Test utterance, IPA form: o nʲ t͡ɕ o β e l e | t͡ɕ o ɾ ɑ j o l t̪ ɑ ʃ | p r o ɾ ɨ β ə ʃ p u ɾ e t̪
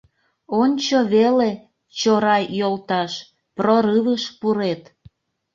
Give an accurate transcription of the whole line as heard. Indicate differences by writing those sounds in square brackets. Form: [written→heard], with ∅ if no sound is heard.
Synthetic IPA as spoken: o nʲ t͡ɕ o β e l e | t͡ɕ o ɾ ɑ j o l t̪ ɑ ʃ | p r o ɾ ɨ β ə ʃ p u ɾ e t̪